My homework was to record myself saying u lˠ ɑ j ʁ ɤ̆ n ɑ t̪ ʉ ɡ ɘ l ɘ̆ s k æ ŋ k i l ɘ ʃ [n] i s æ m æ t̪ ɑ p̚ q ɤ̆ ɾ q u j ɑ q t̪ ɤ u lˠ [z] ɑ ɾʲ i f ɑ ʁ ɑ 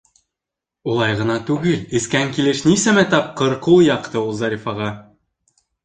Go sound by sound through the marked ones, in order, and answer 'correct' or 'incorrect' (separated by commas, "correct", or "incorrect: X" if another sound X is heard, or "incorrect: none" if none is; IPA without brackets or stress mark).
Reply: correct, correct